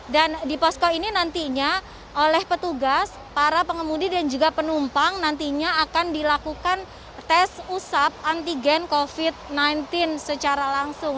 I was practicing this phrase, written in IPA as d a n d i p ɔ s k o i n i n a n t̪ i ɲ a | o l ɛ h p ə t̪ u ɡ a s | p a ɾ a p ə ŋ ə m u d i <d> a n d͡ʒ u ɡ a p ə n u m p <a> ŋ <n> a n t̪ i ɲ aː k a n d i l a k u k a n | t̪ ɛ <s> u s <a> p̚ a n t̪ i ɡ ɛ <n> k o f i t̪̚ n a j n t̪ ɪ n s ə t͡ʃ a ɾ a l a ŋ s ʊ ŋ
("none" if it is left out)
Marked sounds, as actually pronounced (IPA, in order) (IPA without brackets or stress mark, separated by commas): d, a, n, s, a, n